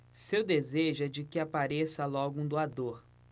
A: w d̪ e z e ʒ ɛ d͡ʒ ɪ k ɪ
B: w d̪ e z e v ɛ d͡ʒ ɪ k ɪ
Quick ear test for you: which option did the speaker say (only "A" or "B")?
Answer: A